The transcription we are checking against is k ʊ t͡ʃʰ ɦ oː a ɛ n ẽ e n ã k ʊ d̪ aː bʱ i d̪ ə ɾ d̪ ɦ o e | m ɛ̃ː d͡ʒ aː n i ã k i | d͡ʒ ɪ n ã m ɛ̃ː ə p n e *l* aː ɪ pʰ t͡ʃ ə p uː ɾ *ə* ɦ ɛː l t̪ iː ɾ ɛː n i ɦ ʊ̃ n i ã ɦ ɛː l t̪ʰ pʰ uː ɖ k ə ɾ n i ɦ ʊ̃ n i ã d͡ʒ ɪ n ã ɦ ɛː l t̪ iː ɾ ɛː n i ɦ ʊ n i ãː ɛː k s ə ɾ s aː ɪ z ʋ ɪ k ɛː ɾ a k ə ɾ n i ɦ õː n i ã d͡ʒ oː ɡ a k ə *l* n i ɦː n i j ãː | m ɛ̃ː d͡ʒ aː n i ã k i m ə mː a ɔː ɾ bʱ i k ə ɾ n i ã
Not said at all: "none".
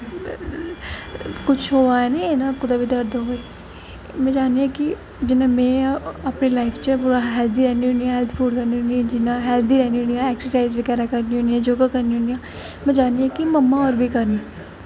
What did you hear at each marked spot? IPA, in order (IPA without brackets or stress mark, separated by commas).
l, a, ɾ